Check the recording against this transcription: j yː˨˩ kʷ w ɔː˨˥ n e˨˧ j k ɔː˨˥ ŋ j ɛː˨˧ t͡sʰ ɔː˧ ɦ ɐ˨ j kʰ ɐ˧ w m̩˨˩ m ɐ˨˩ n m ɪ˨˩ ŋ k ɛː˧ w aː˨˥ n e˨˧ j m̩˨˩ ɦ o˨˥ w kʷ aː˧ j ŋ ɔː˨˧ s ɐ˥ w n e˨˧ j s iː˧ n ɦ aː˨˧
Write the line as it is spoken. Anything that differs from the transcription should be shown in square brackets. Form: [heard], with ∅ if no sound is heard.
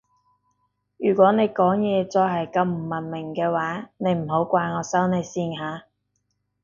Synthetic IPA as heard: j yː˨˩ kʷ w ɔː˨˥ n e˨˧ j k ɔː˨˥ ŋ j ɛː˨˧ [t͡s] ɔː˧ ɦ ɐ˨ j [k] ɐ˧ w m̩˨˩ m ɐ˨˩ n m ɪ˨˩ ŋ k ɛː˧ w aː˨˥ n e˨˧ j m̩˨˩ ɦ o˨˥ w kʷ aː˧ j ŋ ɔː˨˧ s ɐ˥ w n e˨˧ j s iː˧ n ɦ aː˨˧